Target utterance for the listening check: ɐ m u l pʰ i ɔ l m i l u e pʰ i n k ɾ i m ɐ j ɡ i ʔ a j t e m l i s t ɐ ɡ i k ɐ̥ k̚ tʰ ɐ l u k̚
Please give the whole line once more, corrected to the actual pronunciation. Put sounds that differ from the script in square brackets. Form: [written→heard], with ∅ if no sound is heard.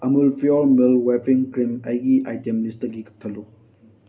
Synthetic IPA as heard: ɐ m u l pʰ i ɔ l m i l [u→w] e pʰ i [n→ŋ] k ɾ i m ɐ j ɡ i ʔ a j t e m l i s t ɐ ɡ i k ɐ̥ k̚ tʰ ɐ l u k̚